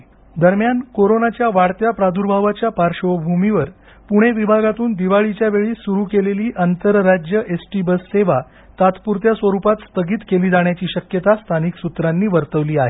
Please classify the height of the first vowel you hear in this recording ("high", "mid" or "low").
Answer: mid